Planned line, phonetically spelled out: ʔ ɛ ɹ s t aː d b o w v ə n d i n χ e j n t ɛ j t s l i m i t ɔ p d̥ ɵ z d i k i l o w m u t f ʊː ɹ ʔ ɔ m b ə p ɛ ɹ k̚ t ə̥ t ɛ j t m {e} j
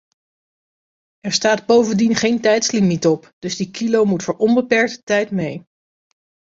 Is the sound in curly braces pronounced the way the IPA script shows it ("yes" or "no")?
yes